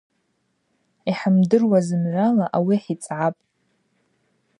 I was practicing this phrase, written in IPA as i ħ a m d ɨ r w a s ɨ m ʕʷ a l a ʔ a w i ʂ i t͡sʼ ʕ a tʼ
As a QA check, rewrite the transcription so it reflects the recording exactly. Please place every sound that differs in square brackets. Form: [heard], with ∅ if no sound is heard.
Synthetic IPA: i ħ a m d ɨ r w a [z] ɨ m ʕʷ a l a ʔ a w i [ħ] i t͡sʼ ʕ a [pʼ]

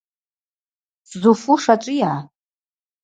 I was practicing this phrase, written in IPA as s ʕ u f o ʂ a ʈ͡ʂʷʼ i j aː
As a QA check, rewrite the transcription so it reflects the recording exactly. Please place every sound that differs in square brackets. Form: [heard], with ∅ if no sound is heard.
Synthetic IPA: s [z] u f [u] ʂ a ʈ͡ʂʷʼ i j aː

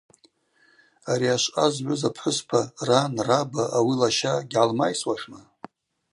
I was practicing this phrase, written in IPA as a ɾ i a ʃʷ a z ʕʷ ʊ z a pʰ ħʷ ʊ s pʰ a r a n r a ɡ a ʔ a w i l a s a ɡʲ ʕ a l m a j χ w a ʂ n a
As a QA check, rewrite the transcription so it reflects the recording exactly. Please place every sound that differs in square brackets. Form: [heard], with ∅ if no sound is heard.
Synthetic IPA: a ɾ i a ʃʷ a z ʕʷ ʊ z a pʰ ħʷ ʊ s pʰ a r a n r a [b] a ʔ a w i l a [ʃ] a ɡʲ ʕ a l m a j [s] w a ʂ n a

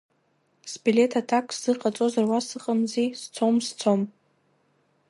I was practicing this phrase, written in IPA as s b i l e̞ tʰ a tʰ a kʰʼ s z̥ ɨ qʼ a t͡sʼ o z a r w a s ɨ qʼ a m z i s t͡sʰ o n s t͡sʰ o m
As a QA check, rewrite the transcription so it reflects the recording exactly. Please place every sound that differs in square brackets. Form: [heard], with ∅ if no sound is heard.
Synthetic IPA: s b i l e̞ tʰ a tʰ a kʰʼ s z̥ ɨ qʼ a t͡sʼ o z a r w a s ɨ qʼ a m z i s t͡sʰ o [m] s t͡sʰ o m

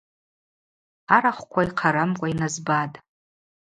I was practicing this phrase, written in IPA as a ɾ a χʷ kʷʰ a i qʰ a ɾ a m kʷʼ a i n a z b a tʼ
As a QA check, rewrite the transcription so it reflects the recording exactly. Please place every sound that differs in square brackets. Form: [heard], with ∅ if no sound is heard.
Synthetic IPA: a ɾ a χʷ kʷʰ a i qʰ a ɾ a m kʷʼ a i n a z b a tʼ

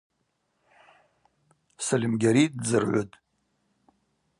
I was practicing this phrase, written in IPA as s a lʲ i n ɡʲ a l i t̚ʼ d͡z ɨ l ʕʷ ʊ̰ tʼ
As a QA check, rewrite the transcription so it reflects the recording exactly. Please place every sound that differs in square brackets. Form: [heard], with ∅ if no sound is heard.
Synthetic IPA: s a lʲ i [m] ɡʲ a [ɾ] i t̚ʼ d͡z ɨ [r] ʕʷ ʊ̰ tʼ

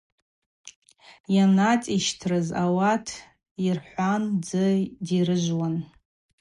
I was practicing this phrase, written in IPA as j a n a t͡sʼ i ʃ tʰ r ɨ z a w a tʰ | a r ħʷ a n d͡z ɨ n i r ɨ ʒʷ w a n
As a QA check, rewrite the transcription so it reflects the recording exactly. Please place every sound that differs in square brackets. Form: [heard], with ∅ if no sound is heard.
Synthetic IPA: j a n a t͡sʼ i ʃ tʰ r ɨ z a w a tʰ | [i] r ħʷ a n d͡z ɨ [d] i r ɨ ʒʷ w a n

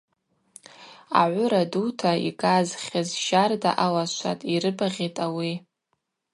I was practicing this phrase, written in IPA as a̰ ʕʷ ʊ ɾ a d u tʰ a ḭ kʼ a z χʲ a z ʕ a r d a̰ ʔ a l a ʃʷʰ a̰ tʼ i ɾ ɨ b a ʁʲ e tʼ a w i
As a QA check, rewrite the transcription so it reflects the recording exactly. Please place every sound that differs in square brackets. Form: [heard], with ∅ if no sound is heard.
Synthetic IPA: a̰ ʕʷ ʊ ɾ a d u tʰ a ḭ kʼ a z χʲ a z [ʒ] a r d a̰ ʔ a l a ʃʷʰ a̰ tʼ i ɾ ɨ b a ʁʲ e tʼ a w i

